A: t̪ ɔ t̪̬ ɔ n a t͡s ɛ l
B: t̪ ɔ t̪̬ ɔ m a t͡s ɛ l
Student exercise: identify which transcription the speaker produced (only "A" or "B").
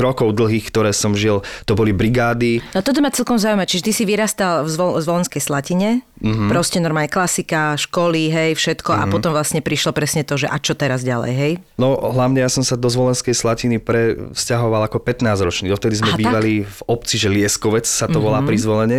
B